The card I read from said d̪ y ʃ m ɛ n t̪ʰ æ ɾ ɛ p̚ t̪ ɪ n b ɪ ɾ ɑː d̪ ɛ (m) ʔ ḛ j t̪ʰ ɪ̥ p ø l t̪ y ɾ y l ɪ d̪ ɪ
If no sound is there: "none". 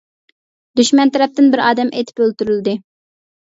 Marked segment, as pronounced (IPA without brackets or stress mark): m